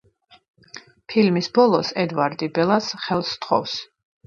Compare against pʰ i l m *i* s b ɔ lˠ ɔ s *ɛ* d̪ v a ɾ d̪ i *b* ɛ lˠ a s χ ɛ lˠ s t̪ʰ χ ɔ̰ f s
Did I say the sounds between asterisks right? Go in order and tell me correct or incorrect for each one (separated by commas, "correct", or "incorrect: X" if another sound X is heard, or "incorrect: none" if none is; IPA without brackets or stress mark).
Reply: correct, correct, correct